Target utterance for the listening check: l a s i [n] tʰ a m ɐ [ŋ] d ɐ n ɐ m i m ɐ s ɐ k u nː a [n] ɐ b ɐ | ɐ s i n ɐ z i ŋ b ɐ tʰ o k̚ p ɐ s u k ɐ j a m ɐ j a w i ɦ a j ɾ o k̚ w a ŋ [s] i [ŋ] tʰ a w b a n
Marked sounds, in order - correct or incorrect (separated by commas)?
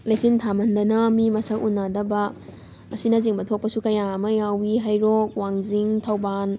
correct, incorrect, incorrect, incorrect, correct